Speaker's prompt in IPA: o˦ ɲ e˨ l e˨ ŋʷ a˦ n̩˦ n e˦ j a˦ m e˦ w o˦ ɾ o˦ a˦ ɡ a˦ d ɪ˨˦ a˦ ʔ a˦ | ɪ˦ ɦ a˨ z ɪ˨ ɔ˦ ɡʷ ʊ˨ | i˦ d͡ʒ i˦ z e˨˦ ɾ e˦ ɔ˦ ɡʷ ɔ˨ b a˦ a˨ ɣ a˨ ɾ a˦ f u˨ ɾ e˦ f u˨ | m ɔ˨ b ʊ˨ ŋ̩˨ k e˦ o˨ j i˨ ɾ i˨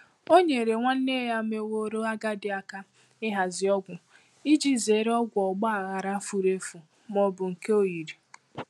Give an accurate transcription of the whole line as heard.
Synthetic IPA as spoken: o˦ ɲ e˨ ɾ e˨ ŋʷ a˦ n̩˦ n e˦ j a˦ m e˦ w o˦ ɾ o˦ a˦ ɡ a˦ d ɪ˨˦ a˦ k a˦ | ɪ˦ ɦ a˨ z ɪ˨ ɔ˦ ɡʷ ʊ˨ | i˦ d͡ʒ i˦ z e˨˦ ɾ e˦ ɔ˦ ɡʷ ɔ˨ ɡ͡b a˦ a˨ ɣ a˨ ɾ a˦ f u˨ ɾ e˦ f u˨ | m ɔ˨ b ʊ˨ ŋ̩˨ k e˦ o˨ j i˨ ɾ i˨